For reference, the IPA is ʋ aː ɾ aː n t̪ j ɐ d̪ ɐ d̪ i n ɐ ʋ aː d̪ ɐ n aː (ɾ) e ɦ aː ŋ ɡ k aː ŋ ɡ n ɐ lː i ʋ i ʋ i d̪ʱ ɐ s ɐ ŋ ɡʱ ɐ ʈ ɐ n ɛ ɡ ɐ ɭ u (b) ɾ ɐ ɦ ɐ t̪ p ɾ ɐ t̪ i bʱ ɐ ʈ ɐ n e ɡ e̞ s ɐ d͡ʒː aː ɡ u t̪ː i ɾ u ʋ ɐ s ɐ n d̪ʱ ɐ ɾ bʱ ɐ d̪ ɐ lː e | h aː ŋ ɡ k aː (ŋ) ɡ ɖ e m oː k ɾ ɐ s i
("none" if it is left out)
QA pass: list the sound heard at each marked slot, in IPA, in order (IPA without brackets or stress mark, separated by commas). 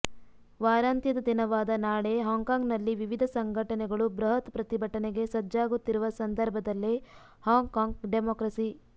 ɭ, b, ŋ